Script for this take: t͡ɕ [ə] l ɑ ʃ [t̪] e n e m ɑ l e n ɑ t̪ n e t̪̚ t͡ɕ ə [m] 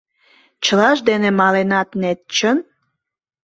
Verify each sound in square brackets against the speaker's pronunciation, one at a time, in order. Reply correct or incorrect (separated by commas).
correct, incorrect, incorrect